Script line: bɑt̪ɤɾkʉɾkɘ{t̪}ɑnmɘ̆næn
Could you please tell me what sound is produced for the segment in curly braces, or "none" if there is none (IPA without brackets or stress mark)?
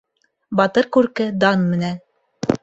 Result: d̪